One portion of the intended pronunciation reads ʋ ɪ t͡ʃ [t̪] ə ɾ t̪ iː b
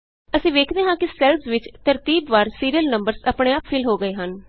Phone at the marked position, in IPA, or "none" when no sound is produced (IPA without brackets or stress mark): t̪